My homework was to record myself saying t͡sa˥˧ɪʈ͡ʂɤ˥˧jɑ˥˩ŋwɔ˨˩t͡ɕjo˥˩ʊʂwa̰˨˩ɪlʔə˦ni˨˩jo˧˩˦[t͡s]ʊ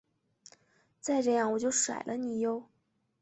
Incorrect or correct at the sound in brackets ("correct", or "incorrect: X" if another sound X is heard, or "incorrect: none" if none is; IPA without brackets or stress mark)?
incorrect: none